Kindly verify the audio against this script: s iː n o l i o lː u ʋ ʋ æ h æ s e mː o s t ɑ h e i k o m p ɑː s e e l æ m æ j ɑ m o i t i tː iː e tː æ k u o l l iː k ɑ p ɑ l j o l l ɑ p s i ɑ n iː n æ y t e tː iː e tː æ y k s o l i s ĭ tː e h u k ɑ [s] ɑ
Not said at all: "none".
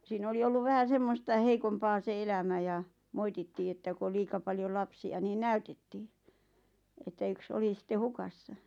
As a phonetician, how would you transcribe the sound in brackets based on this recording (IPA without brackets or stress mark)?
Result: sː